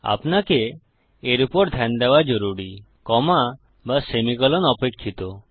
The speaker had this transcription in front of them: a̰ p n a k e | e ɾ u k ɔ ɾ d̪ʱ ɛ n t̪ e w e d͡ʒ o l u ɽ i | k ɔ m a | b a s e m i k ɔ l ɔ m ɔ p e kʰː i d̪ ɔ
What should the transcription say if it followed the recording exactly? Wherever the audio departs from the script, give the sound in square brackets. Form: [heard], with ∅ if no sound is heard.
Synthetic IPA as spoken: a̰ p n a k e | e ɾ u [p] ɔ ɾ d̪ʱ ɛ n [d̪] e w [a] d͡ʒ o [ɾ] u ɽ i | k ɔ m a | b a s e m i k ɔ l ɔ [n] ɔ p e kʰː i [t̪] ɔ